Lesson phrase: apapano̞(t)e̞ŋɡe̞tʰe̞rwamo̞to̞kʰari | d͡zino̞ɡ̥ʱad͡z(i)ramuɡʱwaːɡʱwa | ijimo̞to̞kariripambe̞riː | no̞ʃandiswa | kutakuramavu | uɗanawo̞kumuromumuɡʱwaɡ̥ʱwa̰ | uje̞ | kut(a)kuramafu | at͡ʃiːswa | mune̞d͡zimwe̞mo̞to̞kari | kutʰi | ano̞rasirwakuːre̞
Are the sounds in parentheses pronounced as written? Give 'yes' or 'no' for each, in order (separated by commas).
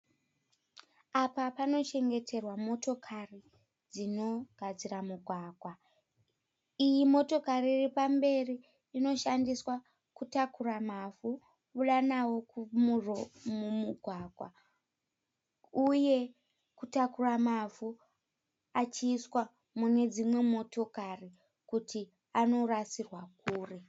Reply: no, yes, yes